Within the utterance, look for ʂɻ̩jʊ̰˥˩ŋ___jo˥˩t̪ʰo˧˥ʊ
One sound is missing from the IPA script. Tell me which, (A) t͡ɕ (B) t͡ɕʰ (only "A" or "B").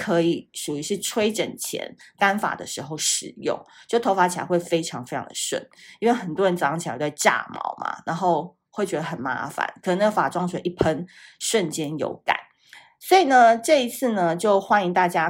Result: A